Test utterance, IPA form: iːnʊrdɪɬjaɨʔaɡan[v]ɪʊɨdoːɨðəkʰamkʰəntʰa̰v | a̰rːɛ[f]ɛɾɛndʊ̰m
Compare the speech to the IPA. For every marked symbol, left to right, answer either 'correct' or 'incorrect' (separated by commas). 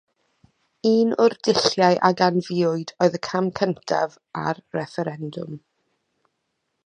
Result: correct, correct